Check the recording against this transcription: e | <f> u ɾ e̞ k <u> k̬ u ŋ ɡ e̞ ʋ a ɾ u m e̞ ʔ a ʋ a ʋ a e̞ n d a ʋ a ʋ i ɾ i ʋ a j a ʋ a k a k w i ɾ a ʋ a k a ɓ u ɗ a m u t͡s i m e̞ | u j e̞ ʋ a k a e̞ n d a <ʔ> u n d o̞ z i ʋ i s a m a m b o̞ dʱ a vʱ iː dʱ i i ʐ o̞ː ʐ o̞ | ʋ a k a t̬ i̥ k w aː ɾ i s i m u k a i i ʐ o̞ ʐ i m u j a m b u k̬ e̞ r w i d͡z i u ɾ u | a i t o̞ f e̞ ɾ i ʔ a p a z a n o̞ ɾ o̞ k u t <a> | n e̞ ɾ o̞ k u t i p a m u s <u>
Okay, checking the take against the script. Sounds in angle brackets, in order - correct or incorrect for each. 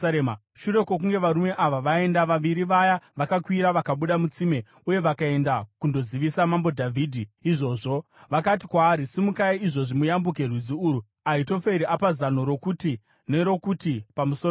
incorrect, incorrect, incorrect, incorrect, incorrect

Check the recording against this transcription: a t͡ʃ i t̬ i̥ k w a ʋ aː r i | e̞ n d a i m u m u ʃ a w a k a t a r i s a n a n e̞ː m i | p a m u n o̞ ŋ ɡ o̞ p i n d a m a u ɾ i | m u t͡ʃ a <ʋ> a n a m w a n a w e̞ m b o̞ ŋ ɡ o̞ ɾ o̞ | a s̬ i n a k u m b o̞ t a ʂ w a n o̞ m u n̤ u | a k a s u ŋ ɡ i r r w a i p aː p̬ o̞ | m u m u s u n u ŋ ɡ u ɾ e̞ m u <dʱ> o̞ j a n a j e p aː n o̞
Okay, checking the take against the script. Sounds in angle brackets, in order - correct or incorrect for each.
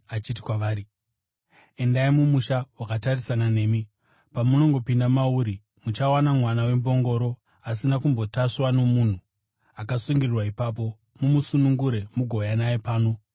incorrect, incorrect

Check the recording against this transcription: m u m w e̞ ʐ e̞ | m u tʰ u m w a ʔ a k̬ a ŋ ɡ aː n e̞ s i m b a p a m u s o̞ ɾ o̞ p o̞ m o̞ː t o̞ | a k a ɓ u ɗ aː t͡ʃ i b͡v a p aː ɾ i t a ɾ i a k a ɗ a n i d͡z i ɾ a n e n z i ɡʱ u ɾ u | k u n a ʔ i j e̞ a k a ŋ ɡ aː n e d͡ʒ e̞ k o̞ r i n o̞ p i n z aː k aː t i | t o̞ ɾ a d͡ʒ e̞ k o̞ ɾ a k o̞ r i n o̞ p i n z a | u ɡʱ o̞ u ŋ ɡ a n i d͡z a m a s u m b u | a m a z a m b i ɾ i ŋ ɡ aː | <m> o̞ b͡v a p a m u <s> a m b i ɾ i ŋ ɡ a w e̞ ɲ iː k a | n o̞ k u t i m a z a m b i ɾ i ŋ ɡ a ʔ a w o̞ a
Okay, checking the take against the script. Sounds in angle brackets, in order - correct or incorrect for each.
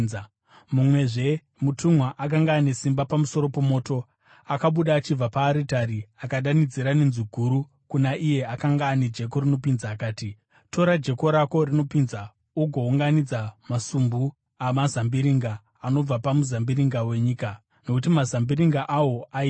incorrect, incorrect

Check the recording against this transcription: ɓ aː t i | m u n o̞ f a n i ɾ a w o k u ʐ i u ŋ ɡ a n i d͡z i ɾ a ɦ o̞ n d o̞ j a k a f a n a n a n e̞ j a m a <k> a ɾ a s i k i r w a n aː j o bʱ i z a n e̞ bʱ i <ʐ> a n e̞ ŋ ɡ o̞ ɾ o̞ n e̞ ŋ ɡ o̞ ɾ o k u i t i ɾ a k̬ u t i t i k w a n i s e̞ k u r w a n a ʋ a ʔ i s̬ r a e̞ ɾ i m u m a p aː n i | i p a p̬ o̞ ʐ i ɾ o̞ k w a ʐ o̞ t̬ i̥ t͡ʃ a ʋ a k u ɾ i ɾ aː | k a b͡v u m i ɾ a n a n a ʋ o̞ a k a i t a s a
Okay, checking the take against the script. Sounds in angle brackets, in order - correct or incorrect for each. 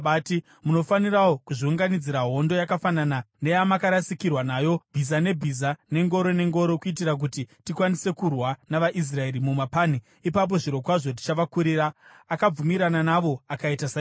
correct, incorrect

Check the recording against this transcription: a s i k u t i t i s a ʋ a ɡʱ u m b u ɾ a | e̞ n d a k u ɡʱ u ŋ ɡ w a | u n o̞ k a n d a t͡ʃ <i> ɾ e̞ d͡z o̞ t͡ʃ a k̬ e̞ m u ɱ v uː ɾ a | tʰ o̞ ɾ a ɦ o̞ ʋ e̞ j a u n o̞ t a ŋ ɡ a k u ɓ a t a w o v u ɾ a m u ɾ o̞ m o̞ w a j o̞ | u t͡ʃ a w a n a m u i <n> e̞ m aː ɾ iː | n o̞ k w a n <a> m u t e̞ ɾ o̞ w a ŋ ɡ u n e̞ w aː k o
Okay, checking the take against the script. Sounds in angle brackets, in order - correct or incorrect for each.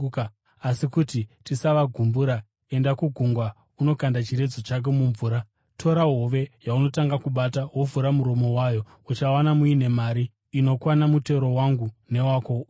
correct, correct, correct

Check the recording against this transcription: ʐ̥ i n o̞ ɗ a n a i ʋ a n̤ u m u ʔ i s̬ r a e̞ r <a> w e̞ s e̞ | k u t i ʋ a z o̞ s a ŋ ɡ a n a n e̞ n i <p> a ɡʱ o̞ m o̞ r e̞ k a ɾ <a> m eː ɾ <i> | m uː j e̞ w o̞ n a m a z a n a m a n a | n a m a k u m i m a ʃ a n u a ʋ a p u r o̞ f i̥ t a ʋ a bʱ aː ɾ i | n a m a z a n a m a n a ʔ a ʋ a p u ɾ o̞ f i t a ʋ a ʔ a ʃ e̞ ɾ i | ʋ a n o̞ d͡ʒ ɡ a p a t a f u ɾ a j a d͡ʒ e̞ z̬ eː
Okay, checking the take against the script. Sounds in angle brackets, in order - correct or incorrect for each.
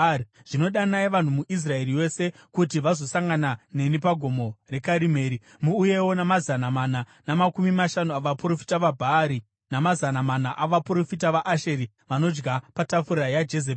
incorrect, correct, incorrect, correct

